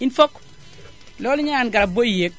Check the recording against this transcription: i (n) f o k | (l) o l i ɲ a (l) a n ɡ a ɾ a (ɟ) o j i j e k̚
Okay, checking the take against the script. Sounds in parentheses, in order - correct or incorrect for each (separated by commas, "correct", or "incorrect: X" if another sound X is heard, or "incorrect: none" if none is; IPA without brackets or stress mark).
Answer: correct, correct, incorrect: none, incorrect: b